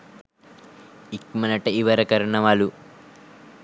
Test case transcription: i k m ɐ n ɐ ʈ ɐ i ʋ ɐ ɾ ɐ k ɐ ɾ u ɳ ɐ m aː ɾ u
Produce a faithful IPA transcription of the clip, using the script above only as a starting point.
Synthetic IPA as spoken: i k m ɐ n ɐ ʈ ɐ i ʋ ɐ ɾ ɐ k ɐ ɾ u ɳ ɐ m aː l u